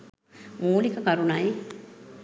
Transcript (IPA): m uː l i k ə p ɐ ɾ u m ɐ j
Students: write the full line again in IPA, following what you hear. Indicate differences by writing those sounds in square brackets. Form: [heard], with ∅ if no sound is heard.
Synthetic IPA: m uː l i k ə [k] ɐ ɾ u [n] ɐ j